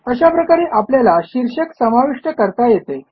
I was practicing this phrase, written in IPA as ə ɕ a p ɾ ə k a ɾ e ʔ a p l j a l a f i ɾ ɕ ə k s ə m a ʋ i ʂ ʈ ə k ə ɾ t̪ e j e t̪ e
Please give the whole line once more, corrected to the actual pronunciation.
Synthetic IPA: ə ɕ a p ɾ ə k a ɾ e ʔ a p l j a l a ɕ i ɾ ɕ ə k s ə m a ʋ i ʂ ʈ ə k ə ɾ t̪ a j e t̪ e